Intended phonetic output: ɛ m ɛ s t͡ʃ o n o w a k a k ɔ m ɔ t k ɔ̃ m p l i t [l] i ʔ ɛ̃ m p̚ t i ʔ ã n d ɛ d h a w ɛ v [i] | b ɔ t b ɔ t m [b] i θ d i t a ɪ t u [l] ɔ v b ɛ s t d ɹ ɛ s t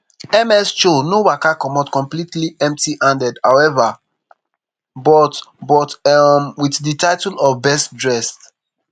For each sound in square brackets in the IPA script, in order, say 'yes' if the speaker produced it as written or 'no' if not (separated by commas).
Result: yes, no, no, yes